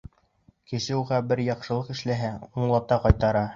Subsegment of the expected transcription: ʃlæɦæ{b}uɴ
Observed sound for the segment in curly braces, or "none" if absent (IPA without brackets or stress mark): none